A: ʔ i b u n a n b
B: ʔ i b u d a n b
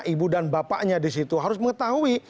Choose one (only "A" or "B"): B